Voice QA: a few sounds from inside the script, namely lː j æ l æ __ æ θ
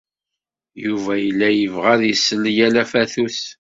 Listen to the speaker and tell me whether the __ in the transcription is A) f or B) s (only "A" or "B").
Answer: A